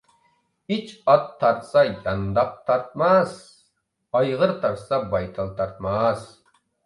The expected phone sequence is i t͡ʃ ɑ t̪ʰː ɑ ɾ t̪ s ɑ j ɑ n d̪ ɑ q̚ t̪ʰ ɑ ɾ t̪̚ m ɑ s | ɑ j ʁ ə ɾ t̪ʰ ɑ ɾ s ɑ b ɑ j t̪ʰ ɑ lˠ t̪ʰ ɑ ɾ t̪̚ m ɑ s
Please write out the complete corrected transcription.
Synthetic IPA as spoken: i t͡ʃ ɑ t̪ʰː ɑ ɾ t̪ s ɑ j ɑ n d̪ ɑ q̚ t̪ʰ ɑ ɾ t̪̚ m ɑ s | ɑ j ʁ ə ɾ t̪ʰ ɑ ɾ s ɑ b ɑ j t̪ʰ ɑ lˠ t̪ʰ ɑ ɾ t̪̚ m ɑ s